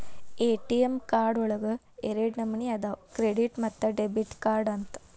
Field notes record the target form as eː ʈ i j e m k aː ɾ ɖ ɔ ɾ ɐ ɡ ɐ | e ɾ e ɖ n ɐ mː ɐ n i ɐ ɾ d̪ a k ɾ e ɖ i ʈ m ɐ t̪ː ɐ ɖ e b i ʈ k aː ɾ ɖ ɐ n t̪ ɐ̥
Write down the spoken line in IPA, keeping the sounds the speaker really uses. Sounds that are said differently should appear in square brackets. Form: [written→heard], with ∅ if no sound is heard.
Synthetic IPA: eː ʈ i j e m k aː ɾ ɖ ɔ [ɾ→ɭ] ɐ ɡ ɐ | e ɾ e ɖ n ɐ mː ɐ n i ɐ [ɾ→∅] d̪ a k ɾ e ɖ i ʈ m ɐ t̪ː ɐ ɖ e b i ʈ k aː ɾ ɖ ɐ n t̪ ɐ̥